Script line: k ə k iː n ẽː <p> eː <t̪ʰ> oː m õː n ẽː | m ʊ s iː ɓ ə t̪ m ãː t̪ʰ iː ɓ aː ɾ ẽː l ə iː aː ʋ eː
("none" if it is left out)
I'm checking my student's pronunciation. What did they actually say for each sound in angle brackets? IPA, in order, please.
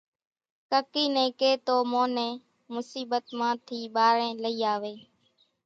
k, t̪

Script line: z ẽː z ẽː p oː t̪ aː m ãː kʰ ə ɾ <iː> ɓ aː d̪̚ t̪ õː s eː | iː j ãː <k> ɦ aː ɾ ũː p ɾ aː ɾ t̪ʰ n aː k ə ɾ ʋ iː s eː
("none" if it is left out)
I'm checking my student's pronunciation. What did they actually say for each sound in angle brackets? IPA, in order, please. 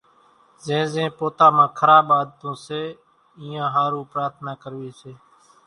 aː, none

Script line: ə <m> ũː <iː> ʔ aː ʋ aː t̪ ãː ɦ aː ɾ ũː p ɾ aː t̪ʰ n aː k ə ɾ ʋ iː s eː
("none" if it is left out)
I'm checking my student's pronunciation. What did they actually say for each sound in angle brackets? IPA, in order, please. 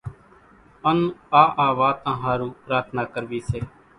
n, aː

